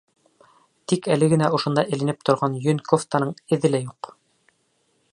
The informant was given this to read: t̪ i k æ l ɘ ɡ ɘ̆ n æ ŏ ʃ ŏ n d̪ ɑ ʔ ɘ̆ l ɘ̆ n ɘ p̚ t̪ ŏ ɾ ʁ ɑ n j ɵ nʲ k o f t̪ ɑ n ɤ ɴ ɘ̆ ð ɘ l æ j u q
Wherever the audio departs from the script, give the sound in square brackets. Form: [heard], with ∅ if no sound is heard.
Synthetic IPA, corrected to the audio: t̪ i k æ l ɘ ɡ ɘ̆ n æ ŏ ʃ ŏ n d̪ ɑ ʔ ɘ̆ l ɘ̆ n ɘ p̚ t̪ ŏ ɾ ʁ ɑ n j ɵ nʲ k o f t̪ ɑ n ɤ ɴ ɘ̆ ð ɘ l æ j u q